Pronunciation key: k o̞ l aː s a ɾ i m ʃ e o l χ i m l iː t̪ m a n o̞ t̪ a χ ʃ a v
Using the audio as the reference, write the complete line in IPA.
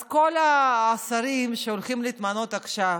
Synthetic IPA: k o̞ l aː s a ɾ i m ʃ e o l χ i m l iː t̪ m a n o̞ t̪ a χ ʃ a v